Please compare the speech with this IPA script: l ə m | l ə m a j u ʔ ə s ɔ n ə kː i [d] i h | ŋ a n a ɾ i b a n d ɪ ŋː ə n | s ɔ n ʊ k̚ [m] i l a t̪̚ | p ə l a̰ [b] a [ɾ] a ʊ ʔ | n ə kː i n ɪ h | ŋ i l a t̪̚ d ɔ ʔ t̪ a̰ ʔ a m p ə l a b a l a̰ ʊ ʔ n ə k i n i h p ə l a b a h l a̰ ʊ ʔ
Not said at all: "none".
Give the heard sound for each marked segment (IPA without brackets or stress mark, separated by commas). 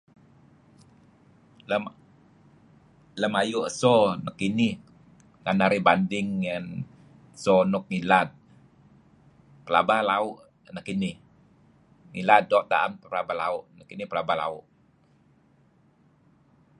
n, ŋ, b, l